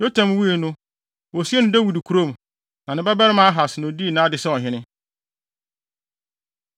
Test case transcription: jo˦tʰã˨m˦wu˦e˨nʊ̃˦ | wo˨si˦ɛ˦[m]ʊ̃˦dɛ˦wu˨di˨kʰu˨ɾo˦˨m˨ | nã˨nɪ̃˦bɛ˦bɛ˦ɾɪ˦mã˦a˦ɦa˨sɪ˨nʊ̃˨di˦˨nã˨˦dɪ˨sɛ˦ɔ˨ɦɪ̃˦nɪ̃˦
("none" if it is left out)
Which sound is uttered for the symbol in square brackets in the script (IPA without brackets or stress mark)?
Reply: n